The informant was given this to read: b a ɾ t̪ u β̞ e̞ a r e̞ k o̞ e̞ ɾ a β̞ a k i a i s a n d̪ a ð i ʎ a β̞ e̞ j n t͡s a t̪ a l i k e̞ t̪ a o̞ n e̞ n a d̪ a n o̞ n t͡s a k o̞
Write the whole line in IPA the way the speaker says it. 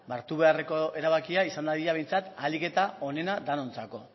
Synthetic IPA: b a ɾ t̪ u β̞ e̞ a r e̞ k o̞ e̞ ɾ a β̞ a k i a i s a n d̪ a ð i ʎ a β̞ e̞ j n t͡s a t̪ a l i k e̞ t̪ a o̞ n e̞ n a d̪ a n o̞ n t͡s a k o̞